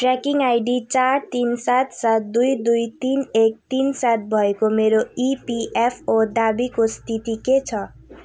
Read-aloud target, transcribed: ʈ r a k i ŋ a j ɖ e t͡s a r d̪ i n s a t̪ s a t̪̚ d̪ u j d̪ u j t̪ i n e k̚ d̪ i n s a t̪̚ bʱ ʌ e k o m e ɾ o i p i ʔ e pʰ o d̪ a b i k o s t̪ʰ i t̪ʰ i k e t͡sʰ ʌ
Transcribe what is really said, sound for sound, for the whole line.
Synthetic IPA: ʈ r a k i ŋ a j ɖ i t͡s a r t̪ i n s a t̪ s a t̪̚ d̪ u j d̪ u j t̪ i n e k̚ t̪ i n s a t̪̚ bʱ ʌ e k o m e ɾ o i p i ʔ e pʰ o d̪ a b i k o s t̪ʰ i t̪ i k e t͡sʰ ʌ